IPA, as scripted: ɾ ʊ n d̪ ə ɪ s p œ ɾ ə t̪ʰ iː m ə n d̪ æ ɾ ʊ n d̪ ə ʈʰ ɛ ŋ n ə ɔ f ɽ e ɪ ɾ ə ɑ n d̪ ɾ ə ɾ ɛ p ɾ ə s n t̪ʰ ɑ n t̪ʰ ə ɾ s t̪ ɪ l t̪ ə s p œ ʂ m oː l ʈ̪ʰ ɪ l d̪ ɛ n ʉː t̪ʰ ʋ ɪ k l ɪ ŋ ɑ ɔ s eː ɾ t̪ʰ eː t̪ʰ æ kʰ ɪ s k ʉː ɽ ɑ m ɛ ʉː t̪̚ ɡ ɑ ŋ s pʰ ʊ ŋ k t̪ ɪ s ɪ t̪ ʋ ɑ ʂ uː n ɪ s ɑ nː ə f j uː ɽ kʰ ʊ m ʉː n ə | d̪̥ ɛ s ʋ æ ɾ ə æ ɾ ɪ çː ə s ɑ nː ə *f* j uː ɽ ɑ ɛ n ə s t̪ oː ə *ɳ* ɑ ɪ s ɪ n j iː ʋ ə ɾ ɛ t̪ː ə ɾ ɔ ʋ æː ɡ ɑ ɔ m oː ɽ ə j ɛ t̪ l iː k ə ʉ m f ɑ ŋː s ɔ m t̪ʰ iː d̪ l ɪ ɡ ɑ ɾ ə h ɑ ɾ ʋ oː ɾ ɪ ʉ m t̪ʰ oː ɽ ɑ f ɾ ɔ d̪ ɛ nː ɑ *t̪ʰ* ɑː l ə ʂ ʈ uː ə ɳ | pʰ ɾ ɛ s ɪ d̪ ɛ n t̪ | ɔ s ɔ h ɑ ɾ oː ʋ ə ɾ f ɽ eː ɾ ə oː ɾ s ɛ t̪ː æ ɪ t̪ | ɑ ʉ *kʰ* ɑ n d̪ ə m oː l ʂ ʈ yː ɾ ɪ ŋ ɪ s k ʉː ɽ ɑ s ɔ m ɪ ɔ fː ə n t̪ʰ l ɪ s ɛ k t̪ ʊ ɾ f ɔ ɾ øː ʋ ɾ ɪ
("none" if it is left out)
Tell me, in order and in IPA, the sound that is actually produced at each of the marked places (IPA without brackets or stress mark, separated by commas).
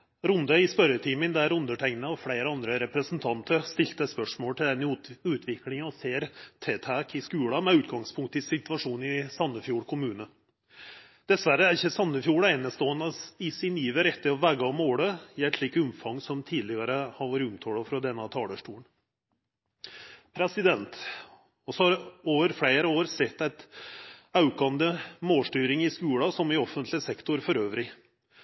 f, n, t̪ʰ, k